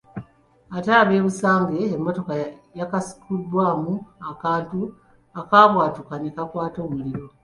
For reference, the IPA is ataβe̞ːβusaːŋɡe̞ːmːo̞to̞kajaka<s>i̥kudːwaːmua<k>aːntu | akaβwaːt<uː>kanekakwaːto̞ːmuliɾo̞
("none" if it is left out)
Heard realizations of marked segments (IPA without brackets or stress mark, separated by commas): s, k, u